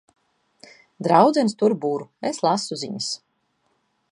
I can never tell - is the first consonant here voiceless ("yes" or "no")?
no